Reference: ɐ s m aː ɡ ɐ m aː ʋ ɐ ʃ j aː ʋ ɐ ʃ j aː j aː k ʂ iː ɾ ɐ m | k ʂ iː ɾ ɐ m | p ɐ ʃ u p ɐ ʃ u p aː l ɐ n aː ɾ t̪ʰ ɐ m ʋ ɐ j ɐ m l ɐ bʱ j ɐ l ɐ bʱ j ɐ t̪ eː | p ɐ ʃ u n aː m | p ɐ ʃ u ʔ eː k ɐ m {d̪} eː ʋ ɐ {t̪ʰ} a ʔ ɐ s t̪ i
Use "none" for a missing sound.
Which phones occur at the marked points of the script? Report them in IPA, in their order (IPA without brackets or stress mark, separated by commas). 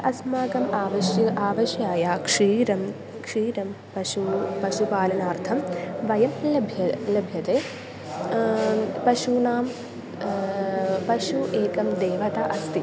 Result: d̪, t̪